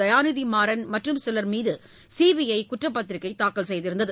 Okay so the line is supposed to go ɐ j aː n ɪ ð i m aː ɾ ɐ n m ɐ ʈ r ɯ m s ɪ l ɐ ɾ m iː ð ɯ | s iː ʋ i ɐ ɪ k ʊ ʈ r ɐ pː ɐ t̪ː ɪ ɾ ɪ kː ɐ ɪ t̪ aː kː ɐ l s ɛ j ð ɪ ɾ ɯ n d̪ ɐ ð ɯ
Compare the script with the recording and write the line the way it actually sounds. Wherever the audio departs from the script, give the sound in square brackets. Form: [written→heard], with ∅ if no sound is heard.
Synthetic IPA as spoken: ɐ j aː n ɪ ð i m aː ɾ ɐ n m ɐ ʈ r ɯ m s ɪ l ɐ ɾ m iː ð ɯ | s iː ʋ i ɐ ɪ k ʊ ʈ r ɐ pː ɐ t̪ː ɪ ɾ ɪ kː ɐ ɪ t̪ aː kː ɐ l s ɛ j ð ɪ ɾ ɯ n d̪ ɐ ð ɯ